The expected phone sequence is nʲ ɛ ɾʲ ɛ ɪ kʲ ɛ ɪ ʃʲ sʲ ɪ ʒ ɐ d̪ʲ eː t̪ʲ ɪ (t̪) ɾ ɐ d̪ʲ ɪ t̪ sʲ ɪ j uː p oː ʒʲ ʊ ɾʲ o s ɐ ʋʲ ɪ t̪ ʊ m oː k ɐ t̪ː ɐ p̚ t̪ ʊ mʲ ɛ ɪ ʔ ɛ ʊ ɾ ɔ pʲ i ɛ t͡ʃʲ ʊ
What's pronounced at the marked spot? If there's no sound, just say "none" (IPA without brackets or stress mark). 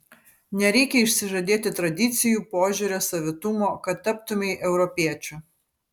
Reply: t̪